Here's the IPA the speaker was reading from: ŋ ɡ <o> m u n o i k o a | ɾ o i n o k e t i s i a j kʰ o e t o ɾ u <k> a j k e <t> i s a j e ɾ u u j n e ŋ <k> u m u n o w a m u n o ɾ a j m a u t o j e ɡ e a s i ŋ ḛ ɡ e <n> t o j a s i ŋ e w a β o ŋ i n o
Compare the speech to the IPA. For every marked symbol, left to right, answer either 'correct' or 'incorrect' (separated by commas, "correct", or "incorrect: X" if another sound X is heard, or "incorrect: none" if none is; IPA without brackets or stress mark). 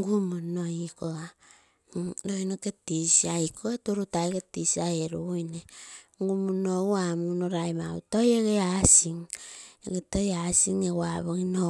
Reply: incorrect: u, incorrect: t, correct, incorrect: ɡ, incorrect: none